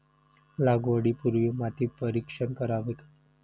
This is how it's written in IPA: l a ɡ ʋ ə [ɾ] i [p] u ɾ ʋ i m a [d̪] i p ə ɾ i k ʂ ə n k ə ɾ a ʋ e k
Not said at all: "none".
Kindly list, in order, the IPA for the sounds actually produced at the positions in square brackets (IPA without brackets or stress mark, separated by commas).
ɽ, p, t̪